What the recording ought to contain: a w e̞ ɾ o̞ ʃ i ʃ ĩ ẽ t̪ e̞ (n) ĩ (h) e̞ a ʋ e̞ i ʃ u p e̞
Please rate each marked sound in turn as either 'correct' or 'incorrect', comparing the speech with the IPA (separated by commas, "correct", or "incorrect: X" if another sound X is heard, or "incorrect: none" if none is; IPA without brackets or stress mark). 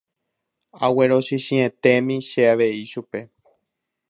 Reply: incorrect: m, incorrect: ʃ